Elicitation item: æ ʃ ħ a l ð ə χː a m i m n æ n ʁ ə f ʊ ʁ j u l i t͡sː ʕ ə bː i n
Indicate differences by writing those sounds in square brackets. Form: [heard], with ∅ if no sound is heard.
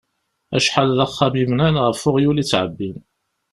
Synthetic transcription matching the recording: æ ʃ ħ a l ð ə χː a m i m n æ n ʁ ə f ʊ ʁ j u l i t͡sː ʕ ə bː i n